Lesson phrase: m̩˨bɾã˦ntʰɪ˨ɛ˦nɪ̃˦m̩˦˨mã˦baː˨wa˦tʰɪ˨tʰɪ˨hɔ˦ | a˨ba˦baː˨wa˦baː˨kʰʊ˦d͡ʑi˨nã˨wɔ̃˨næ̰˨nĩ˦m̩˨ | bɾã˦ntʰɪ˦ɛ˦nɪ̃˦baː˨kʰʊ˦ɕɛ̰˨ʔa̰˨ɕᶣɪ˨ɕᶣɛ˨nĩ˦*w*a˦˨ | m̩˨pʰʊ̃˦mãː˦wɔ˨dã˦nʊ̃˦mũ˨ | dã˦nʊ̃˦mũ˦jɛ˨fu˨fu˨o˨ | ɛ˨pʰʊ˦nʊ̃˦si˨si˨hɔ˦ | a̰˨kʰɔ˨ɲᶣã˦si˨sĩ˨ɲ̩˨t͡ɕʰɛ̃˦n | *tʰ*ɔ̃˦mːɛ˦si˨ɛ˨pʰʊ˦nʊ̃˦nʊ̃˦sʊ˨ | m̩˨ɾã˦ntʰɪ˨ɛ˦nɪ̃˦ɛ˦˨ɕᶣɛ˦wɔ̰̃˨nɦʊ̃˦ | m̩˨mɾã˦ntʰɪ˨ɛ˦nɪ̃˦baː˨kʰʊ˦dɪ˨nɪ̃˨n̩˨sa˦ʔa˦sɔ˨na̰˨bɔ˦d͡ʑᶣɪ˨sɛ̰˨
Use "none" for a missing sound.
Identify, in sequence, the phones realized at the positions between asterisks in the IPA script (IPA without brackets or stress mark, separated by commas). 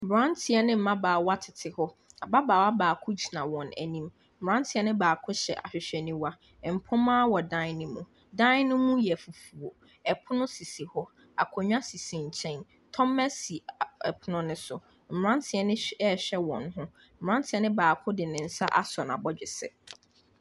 w, tʰ